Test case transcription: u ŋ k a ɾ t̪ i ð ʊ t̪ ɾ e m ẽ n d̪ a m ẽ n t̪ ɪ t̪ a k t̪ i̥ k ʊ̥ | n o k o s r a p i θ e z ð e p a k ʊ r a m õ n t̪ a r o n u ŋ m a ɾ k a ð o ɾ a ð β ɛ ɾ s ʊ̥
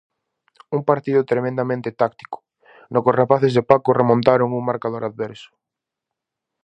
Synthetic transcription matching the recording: u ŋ p a ɾ t̪ i ð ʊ t̪ ɾ e m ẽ n d̪ a m ẽ n t̪ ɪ t̪ a k t̪ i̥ k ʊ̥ | n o k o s r a p a θ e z ð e p a k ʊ r e m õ n t̪ a ɾ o ŋ u ŋ m a ɾ k a ð o ɾ a ð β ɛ ɾ s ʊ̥